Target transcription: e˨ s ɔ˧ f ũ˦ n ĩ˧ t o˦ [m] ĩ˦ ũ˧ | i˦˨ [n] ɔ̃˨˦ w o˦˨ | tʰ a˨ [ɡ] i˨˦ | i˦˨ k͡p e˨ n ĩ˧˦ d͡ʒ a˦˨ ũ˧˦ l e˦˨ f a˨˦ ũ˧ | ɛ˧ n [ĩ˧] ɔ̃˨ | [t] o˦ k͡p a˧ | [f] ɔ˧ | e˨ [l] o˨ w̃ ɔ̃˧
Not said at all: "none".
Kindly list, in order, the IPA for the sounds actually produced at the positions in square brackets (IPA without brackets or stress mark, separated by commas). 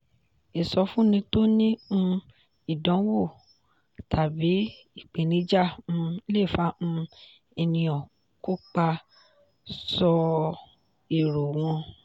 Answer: n, d, b, ĩ˧, k, s, ɾ